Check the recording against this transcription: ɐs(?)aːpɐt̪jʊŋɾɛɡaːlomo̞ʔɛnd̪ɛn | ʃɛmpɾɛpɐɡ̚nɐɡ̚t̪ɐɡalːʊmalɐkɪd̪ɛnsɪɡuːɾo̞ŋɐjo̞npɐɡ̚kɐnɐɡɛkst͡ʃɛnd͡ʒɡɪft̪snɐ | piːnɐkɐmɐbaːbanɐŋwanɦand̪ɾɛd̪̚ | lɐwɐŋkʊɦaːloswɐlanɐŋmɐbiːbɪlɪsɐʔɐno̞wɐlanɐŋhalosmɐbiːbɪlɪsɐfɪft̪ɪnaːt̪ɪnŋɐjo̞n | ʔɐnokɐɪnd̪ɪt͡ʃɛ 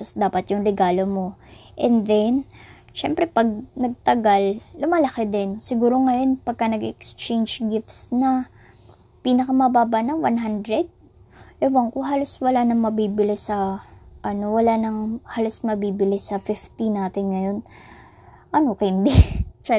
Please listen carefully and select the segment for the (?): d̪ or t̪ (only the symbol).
d̪